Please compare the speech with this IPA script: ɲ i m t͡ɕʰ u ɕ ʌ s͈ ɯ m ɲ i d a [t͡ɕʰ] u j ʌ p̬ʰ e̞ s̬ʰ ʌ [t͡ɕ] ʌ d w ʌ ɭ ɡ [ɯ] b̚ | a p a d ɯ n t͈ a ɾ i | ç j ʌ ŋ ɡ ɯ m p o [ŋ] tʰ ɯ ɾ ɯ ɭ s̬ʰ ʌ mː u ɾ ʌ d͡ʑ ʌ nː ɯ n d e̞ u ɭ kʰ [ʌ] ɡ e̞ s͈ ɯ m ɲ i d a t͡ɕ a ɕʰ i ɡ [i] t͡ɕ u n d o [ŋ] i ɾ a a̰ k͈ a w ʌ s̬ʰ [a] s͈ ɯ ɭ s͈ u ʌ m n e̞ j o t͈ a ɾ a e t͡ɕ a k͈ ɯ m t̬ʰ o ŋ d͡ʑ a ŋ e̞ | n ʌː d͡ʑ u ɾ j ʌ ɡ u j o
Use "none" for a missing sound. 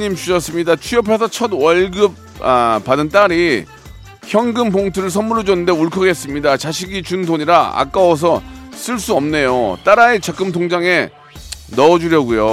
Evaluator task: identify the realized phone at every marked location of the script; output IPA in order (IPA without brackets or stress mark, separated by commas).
t͡ɕʰ, t͡ɕʰ, ɯ, ŋ, ʌ, i, ɲ, ʌ